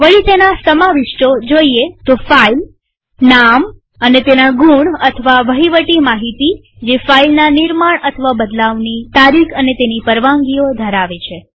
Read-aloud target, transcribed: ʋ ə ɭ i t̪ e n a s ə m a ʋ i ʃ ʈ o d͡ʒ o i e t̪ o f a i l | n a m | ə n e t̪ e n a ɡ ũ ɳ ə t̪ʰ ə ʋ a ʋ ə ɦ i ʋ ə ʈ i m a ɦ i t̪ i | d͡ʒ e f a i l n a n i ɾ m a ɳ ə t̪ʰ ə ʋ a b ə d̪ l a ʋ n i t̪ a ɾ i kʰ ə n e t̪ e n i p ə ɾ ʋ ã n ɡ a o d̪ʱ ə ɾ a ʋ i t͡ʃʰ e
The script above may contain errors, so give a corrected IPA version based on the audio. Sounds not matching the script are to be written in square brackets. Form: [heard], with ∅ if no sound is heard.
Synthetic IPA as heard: ʋ ə ɭ i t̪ e n a s ə m a ʋ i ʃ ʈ o d͡ʒ o i e t̪ o f a i l | n a m | ə n e t̪ e n a ɡ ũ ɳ ə t̪ʰ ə ʋ a ʋ ə ɦ i ʋ ə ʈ i m a ɦ i t̪ i | d͡ʒ e f a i l n a n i ɾ m a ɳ ə t̪ʰ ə ʋ a b ə d̪ l a ʋ n i t̪ a ɾ i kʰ ə n e t̪ e n i p ə ɾ ʋ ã [ŋ] ɡ [i] o d̪ʱ ə ɾ a ʋ [e] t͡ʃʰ e